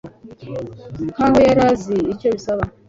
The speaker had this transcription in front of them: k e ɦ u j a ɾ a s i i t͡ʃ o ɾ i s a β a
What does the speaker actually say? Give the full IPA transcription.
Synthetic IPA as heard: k a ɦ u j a ɾ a z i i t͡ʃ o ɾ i s a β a